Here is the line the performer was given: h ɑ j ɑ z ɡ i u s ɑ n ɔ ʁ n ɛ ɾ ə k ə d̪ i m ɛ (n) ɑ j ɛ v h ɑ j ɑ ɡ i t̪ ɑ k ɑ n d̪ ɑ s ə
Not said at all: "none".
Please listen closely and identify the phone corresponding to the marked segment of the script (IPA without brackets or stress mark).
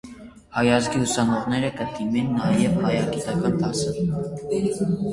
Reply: nː